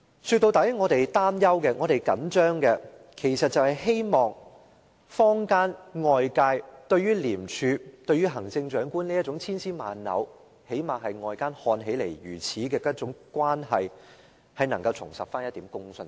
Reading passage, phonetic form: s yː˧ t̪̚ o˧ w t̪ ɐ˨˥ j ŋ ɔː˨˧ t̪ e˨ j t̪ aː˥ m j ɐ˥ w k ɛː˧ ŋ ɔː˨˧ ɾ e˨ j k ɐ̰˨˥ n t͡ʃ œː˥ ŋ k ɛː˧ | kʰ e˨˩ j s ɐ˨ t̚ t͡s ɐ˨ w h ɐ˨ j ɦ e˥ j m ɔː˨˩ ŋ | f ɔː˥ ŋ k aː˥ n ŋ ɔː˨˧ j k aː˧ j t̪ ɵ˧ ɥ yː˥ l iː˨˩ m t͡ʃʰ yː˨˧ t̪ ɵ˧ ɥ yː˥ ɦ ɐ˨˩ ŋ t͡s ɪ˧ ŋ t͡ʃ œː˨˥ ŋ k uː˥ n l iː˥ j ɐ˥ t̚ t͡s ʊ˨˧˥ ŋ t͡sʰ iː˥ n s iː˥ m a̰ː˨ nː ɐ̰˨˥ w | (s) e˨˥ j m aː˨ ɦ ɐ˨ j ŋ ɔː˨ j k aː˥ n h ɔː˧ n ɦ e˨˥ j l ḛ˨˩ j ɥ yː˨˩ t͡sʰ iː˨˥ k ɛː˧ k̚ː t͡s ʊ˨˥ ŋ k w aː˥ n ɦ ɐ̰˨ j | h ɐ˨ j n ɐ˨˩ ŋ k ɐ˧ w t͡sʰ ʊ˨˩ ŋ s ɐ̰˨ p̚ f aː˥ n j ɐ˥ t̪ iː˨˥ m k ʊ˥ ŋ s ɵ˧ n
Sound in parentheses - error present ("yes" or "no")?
yes